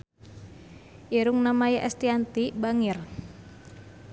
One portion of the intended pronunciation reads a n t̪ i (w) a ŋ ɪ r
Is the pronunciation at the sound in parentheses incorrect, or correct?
incorrect: b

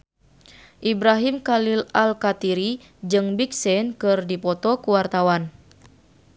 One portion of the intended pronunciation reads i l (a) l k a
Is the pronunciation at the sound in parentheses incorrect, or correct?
correct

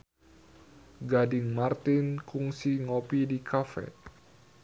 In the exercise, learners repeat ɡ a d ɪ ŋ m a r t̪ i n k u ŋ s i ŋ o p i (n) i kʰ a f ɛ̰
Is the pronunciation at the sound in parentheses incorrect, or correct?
incorrect: d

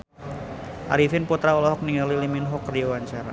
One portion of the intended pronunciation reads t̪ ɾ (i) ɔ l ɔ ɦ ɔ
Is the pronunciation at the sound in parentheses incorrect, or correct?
incorrect: a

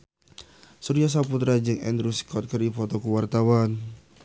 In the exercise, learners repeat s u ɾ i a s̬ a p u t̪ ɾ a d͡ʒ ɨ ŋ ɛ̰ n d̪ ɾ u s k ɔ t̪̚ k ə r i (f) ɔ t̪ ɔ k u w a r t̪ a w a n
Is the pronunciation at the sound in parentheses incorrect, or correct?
correct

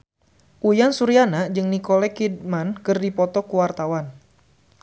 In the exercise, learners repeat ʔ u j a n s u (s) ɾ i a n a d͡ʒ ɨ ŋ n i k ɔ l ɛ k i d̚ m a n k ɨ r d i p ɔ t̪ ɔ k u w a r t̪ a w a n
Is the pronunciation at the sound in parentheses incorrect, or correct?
incorrect: none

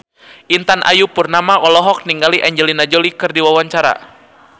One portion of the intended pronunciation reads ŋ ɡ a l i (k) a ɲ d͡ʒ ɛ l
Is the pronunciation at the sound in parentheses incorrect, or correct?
incorrect: ʔ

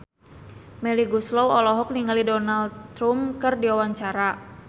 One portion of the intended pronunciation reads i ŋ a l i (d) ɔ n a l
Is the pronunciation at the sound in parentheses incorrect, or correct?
correct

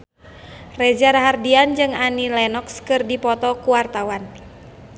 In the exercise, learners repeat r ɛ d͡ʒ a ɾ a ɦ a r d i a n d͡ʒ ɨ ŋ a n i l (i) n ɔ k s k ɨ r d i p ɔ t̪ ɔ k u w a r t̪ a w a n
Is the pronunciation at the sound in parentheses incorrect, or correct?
incorrect: ɛ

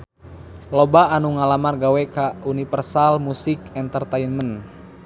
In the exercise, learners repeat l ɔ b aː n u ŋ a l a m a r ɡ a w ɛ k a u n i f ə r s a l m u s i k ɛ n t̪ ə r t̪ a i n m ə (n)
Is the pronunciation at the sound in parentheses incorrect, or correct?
correct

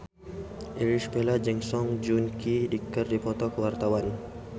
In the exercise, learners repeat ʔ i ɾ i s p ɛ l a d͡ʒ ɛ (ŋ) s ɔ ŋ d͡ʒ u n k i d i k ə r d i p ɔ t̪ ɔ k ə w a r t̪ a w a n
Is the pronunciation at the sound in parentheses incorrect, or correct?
correct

